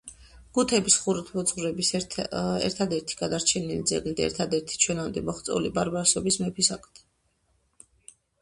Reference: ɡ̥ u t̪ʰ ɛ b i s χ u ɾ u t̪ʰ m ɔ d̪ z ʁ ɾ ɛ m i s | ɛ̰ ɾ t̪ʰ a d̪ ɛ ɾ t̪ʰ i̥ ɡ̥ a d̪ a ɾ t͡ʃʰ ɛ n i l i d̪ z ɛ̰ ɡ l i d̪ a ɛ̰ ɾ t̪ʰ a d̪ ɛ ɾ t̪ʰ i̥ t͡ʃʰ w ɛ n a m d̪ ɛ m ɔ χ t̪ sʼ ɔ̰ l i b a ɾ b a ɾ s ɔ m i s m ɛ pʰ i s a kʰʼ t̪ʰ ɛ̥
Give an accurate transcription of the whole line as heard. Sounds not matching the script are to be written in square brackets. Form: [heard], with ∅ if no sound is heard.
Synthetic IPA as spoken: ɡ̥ u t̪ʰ ɛ b i s χ u ɾ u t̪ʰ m ɔ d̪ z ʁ ɾ ɛ [b] i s | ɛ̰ ɾ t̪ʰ a d̪ ɛ ɾ t̪ʰ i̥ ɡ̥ a d̪ a ɾ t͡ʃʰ ɛ n i l i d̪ z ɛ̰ ɡ l i d̪ a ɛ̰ ɾ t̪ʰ a d̪ ɛ ɾ t̪ʰ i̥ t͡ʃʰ w ɛ n a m d̪ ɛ m ɔ χ t̪ sʼ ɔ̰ l i b a ɾ b a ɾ s ɔ [b] i s m ɛ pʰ i s a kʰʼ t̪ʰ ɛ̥

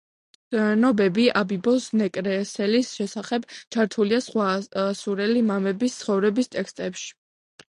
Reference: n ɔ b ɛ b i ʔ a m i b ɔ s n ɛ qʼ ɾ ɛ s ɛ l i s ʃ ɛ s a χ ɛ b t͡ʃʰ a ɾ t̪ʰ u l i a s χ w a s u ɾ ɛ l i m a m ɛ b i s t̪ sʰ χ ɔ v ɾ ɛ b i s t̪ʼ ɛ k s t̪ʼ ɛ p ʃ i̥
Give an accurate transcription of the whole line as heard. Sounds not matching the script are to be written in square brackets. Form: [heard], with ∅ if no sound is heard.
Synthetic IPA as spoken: n ɔ b ɛ b i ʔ a [b] i b ɔ s n ɛ [kʼ] ɾ ɛ s ɛ l i s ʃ ɛ s a χ ɛ b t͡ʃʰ a ɾ t̪ʰ u l i a s χ w a s u ɾ ɛ l i m a m ɛ b i s t̪ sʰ χ ɔ v ɾ ɛ b i s t̪ʼ ɛ k s t̪ʼ ɛ p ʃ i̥

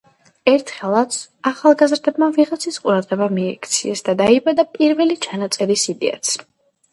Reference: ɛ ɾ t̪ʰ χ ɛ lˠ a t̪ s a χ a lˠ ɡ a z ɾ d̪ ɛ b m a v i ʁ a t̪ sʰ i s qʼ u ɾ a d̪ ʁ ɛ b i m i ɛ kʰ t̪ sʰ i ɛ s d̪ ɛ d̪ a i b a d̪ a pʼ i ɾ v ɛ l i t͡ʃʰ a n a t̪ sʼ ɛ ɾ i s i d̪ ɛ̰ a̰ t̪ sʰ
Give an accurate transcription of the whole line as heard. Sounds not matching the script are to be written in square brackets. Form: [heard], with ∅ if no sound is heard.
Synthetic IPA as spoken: ɛ ɾ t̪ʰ χ ɛ lˠ a t̪ s a χ a lˠ ɡ a z ɾ d̪ ɛ b m a v i ʁ a t̪ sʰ i s qʼ u ɾ a d̪ ʁ ɛ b [a] m i ɛ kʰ t̪ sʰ i ɛ s d̪ [a] d̪ a i b a d̪ a pʼ i ɾ v ɛ l i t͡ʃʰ a n a t̪ sʼ ɛ ɾ i s i d̪ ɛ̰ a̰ t̪ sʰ

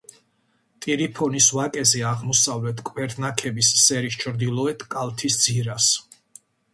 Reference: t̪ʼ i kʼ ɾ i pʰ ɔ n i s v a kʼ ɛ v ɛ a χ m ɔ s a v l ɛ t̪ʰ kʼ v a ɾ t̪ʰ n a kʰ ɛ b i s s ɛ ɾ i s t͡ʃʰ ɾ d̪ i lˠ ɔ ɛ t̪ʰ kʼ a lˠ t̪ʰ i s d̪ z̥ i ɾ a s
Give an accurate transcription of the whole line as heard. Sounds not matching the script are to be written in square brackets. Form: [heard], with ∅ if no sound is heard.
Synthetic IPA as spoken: t̪ʼ i [∅] ɾ i pʰ ɔ n i s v a kʼ ɛ [z] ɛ a [ʁ] m ɔ s a v l ɛ t̪ʰ kʼ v [ɛ] ɾ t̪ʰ n a kʰ ɛ b i s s ɛ ɾ i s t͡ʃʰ ɾ d̪ i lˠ ɔ ɛ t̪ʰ kʼ a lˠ t̪ʰ i s d̪ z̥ i ɾ a s

